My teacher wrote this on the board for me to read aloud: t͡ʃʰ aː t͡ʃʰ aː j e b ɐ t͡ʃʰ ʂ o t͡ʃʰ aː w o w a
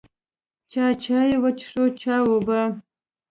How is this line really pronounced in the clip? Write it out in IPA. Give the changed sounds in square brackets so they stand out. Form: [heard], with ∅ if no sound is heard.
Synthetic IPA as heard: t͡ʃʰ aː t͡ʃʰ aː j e [w] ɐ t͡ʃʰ ʂ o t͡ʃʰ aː w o [b] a